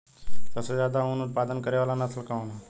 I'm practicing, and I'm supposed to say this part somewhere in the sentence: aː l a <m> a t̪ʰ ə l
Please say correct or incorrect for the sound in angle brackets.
incorrect: n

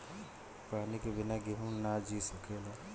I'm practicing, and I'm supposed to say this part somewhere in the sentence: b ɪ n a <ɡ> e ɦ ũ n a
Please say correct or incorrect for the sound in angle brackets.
correct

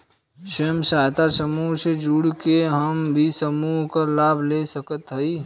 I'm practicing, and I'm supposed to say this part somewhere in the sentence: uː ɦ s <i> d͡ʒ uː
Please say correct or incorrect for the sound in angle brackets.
incorrect: e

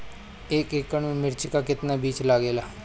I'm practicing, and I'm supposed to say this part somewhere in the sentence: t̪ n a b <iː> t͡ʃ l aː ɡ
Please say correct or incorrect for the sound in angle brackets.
correct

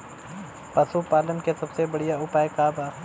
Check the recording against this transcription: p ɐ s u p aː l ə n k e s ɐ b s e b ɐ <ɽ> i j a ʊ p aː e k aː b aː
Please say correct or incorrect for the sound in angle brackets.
correct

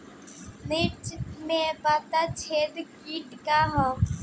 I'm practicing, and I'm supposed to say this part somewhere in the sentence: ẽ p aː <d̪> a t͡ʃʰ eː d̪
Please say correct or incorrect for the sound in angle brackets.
incorrect: t̪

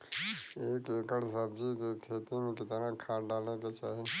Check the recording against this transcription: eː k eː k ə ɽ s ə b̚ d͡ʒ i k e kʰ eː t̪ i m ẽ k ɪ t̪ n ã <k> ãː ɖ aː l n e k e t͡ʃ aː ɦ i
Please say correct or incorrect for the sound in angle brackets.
incorrect: kʰ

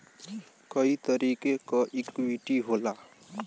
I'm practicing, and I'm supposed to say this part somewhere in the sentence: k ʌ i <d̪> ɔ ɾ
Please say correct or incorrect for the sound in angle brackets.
incorrect: t̪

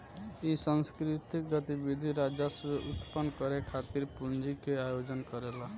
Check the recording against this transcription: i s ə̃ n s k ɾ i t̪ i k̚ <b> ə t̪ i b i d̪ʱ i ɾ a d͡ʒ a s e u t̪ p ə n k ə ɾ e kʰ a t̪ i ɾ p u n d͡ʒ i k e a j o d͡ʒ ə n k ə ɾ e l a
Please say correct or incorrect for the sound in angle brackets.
incorrect: ɡ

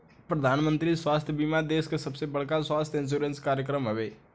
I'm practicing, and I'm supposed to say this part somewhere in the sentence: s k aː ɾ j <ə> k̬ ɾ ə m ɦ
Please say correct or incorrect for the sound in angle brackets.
correct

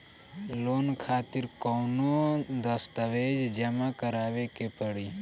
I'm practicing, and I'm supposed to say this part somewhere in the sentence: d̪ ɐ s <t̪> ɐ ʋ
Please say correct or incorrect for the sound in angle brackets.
correct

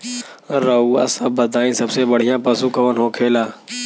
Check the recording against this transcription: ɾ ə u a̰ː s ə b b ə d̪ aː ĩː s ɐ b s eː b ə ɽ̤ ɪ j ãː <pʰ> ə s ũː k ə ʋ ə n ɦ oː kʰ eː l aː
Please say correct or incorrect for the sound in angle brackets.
incorrect: p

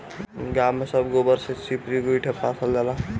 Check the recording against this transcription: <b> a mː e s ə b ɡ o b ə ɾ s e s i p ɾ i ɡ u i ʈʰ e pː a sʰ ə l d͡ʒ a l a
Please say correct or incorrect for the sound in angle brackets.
incorrect: ɡ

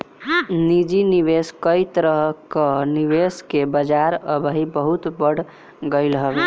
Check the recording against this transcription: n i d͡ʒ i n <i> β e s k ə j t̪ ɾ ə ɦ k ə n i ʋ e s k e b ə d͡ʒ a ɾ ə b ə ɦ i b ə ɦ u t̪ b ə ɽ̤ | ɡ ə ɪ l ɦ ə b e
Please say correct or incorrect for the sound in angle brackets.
correct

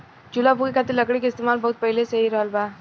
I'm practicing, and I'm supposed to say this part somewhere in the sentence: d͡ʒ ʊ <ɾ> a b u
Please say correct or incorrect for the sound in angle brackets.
incorrect: l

